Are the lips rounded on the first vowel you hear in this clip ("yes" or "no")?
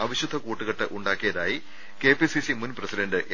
no